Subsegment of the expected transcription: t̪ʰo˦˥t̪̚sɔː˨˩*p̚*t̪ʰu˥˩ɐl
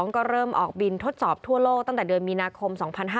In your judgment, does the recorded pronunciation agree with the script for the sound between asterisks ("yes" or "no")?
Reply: yes